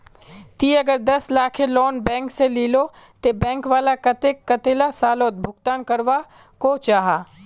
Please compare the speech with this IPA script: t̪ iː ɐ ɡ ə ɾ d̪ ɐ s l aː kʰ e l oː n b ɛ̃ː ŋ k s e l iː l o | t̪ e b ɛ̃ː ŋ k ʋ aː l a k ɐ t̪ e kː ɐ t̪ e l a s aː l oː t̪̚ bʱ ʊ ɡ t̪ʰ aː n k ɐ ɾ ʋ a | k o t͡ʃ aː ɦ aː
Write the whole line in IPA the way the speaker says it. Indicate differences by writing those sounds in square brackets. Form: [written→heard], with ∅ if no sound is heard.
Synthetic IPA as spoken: t̪ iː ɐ ɡ ə ɾ d̪ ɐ s l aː kʰ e l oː n b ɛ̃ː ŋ k s e l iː l o | t̪ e b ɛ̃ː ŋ k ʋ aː l a k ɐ t̪ e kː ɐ t̪ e l a s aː l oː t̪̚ bʱ ʊ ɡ [t̪ʰ→t̪] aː n k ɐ ɾ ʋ a | k o t͡ʃ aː ɦ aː